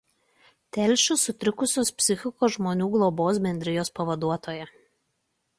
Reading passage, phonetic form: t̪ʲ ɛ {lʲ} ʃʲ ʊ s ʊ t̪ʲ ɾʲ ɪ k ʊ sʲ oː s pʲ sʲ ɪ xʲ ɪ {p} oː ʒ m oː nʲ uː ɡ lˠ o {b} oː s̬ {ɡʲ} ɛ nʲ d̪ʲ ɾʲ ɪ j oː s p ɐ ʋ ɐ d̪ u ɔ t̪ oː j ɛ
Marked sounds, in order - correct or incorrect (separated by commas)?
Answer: correct, incorrect, correct, incorrect